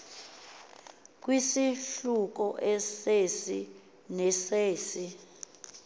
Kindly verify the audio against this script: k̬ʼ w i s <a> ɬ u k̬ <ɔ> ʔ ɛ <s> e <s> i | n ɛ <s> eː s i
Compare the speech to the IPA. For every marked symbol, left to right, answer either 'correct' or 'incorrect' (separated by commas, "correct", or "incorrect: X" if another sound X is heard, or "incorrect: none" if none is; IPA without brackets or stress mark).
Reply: incorrect: i, correct, correct, correct, correct